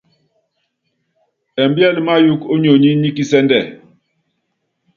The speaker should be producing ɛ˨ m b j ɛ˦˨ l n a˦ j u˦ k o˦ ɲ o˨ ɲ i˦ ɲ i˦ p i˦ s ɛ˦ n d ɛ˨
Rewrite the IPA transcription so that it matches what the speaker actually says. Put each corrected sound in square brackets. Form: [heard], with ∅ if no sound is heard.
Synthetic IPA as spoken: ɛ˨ m b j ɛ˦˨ l [m] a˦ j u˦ k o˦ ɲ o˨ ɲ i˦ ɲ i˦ [k] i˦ s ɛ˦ n d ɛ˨